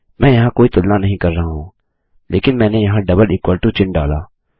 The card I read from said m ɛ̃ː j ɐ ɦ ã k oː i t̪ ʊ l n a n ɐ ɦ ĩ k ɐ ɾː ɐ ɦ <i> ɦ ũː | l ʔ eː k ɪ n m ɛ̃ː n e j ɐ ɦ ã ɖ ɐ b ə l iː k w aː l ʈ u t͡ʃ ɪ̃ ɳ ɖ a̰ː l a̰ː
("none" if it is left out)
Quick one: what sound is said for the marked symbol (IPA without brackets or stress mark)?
a